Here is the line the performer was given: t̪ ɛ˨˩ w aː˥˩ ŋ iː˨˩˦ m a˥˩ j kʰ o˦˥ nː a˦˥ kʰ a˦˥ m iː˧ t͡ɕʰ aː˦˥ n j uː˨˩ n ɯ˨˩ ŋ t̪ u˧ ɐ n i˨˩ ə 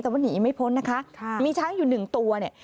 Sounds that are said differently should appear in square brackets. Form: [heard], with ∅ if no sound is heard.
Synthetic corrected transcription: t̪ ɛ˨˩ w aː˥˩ [n] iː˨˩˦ m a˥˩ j [pʰ] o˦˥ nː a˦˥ kʰ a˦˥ m iː˧ t͡ɕʰ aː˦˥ [ŋ] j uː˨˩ n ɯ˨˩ ŋ t̪ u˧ ɐ n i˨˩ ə